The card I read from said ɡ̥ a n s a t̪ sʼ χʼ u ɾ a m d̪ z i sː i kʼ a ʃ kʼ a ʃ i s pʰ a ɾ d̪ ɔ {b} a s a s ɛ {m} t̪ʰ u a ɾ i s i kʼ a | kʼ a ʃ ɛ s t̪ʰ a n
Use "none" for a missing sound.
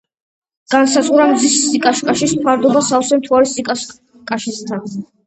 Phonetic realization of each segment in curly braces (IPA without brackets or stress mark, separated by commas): b, m